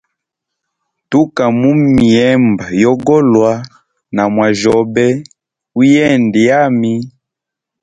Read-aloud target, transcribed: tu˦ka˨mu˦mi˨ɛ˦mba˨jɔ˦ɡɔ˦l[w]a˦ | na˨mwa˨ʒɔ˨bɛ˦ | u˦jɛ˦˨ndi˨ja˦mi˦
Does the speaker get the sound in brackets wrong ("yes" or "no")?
no